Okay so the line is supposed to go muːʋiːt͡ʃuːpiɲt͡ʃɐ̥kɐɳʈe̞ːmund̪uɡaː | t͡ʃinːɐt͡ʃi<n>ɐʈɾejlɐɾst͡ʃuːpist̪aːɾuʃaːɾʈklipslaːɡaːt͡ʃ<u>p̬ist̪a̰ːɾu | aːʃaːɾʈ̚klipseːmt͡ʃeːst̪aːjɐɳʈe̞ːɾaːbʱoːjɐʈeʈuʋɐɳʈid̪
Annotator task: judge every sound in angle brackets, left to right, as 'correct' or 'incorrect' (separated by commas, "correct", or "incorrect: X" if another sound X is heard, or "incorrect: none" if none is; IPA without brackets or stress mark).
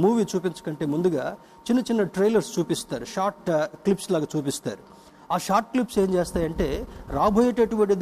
incorrect: nː, incorrect: uː